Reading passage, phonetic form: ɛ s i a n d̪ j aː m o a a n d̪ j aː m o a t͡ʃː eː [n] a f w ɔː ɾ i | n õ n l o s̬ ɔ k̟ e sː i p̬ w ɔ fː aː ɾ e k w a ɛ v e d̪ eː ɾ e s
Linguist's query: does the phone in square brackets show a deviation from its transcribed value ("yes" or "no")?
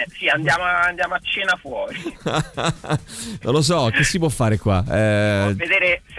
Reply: no